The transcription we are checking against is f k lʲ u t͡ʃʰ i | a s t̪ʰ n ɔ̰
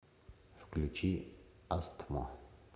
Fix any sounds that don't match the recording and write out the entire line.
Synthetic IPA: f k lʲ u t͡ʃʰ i | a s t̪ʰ m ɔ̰